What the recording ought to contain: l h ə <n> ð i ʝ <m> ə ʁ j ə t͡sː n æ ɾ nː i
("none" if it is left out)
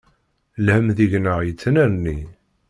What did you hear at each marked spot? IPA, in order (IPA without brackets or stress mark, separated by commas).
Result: m, n